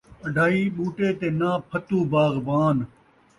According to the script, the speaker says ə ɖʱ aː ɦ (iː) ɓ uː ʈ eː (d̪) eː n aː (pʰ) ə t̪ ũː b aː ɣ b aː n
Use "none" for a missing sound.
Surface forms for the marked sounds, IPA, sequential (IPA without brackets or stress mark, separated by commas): iː, t̪, pʰ